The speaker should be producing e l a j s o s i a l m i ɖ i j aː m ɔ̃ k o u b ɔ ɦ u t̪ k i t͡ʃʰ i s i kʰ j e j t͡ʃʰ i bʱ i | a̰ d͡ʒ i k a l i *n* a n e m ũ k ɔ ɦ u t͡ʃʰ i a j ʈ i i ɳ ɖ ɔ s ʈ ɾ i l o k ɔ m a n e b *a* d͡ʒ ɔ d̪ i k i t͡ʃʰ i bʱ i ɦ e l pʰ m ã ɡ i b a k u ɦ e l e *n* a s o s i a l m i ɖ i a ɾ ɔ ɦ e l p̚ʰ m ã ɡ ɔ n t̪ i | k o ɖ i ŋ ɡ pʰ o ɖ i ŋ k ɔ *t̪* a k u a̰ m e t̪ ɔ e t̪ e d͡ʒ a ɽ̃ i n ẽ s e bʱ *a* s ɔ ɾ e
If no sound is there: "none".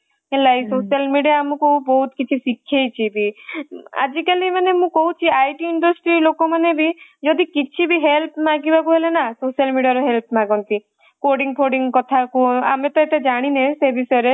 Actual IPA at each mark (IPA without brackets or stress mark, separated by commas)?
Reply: m, i, n, t̪ʰ, i